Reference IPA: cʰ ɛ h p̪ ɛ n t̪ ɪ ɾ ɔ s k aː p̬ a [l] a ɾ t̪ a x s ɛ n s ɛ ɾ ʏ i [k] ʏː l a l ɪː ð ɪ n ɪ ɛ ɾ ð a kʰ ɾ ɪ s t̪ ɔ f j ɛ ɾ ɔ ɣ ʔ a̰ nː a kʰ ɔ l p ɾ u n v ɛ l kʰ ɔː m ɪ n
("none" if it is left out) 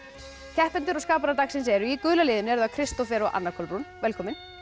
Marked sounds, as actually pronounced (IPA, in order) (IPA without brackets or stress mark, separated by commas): ɾ, k